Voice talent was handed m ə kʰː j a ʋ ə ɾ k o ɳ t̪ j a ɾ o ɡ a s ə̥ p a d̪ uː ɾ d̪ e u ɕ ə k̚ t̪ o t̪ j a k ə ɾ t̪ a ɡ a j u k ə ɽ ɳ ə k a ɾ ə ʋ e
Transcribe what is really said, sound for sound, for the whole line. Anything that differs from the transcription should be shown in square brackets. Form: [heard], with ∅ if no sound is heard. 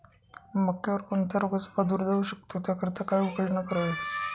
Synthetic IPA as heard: m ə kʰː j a ʋ ə ɾ k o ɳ t̪ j a ɾ o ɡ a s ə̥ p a d̪ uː ɾ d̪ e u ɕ ə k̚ t̪ o t̪ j a k ə ɾ t̪ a [k] a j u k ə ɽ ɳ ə k [ə] ɾ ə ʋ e